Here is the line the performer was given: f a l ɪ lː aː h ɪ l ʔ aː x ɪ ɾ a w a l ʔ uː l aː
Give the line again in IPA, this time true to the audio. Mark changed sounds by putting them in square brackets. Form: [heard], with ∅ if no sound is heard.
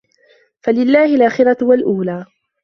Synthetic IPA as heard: f a l ɪ lː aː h ɪ l ʔ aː x ɪ ɾ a w a l ʔ uː l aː